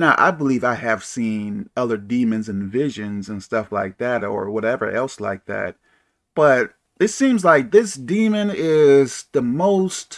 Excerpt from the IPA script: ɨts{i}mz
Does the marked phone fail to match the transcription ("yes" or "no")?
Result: yes